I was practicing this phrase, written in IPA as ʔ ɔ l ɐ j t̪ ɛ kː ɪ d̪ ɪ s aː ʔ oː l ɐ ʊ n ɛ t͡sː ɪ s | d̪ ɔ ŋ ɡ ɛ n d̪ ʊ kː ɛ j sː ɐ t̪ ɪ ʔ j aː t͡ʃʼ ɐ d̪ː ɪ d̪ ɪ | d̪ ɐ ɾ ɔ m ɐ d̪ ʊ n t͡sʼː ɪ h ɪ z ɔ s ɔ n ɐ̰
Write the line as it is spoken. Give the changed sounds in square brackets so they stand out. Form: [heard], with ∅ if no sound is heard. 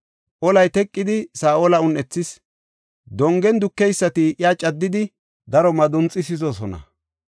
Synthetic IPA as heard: ʔ ɔ l ɐ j t̪ ɛ [kʼː] ɪ d̪ ɪ s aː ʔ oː l ɐ ʊ n ɛ t͡sː ɪ s | d̪ ɔ ŋ ɡ ɛ n d̪ ʊ kː ɛ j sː ɐ t̪ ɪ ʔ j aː t͡ʃʼ ɐ d̪ː ɪ d̪ ɪ | d̪ ɐ ɾ ɔ m ɐ d̪ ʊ n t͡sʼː ɪ [s] ɪ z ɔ s ɔ n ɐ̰

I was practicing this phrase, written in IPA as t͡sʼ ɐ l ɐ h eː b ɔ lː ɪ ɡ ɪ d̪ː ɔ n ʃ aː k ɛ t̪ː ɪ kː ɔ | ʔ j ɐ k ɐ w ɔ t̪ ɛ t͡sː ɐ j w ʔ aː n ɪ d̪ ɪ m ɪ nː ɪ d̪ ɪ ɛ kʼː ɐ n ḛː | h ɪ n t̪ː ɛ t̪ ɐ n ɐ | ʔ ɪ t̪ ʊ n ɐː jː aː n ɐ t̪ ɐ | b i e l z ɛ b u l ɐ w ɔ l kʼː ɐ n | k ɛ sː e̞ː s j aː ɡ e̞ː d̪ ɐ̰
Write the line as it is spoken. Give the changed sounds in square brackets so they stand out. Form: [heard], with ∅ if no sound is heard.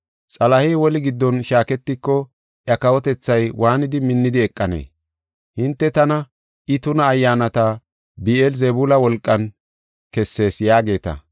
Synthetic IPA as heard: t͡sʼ ɐ l ɐ h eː [w] ɔ [l] ɪ ɡ ɪ d̪ː ɔ n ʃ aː k ɛ t̪ː ɪ kː ɔ | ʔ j ɐ k ɐ w ɔ t̪ ɛ t͡sː ɐ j w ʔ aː n ɪ d̪ ɪ m ɪ nː ɪ d̪ ɪ ɛ kʼː ɐ n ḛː | h ɪ n t̪ː ɛ t̪ ɐ n ɐ | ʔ ɪ t̪ ʊ n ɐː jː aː n ɐ t̪ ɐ | b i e l z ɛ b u l ɐ w ɔ l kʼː ɐ n | k ɛ sː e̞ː s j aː ɡ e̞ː [t̪] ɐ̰

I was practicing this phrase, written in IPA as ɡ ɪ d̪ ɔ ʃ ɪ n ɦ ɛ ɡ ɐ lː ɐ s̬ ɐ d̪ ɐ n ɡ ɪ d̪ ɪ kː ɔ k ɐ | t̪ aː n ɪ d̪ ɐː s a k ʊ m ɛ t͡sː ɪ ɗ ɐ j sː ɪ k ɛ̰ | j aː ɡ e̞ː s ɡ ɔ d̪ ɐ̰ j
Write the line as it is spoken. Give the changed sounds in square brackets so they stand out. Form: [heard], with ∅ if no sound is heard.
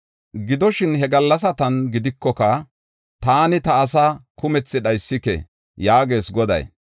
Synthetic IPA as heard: ɡ ɪ d̪ ɔ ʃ ɪ n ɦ ɛ ɡ ɐ lː ɐ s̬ ɐ [t̪] ɐ n ɡ ɪ d̪ ɪ kː ɔ k ɐ | t̪ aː n ɪ [t̪] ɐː s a k ʊ m ɛ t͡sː ɪ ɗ ɐ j sː ɪ k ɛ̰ | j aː ɡ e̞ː s ɡ ɔ d̪ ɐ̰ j

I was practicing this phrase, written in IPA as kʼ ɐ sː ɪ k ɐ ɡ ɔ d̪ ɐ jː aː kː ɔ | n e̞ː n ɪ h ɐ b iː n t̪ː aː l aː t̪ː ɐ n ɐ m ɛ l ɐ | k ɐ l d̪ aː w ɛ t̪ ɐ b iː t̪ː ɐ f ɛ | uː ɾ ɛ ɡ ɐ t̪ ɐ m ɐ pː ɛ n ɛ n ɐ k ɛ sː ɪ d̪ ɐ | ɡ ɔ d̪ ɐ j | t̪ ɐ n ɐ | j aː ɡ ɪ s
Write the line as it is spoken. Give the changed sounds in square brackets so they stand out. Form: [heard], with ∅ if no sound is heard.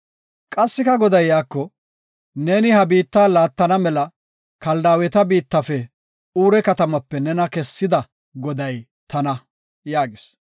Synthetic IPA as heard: kʼ ɐ sː ɪ k ɐ ɡ ɔ d̪ ɐ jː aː kː ɔ | n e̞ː n ɪ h ɐ b iː [∅] t̪ː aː l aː t̪ː ɐ n ɐ m ɛ l ɐ | k ɐ l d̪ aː w ɛ t̪ ɐ b iː t̪ː ɐ f ɛ | uː ɾ ɛ [k] ɐ t̪ ɐ m ɐ pː ɛ n ɛ n ɐ k ɛ sː ɪ d̪ ɐ | ɡ ɔ d̪ ɐ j | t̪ ɐ n ɐ | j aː ɡ ɪ s

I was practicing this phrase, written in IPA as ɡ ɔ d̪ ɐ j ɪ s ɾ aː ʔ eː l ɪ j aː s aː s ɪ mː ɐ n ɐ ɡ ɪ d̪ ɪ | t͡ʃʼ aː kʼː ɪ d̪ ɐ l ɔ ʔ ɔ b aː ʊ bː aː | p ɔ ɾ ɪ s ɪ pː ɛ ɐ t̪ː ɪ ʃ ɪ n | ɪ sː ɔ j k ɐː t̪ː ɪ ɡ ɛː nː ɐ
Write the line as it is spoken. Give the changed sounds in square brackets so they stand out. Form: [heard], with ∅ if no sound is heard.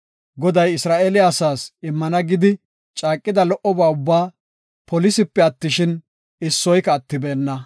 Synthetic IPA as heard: ɡ ɔ d̪ ɐ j ɪ s ɾ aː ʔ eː l ɪ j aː s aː s ɪ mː ɐ n ɐ ɡ ɪ d̪ ɪ | t͡ʃʼ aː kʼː ɪ d̪ ɐ l ɔ ʔ ɔ b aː ʊ bː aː | p ɔ [l] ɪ s ɪ pː ɛ ɐ t̪ː ɪ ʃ ɪ n | ɪ sː ɔ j k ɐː t̪ː ɪ [b] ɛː nː ɐ

